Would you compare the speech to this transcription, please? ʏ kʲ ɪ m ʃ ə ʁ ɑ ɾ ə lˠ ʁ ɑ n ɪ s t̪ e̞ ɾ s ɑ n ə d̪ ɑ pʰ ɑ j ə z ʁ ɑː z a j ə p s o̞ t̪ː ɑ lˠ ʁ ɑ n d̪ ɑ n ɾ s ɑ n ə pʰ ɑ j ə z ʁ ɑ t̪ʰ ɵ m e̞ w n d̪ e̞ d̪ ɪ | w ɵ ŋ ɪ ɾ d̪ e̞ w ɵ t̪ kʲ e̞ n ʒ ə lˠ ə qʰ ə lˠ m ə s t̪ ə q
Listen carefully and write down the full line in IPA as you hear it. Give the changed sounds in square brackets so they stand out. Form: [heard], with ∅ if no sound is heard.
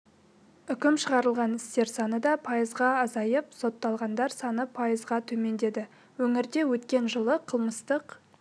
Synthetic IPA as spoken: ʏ kʲ ɪ m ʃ ə ʁ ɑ ɾ ə lˠ ʁ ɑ n ɪ s t̪ e̞ ɾ s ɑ n ə d̪ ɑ pʰ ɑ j ə z ʁ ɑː z [ɑ] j ə p s o̞ t̪ː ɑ lˠ ʁ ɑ n d̪ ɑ [∅] ɾ s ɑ n ə pʰ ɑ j ə z ʁ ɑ t̪ʰ ɵ m e̞ [∅] n d̪ e̞ d̪ ɪ | w ɵ ŋ ɪ ɾ d̪ e̞ w ɵ t̪ kʲ e̞ n ʒ ə lˠ ə qʰ ə lˠ m ə s t̪ ə q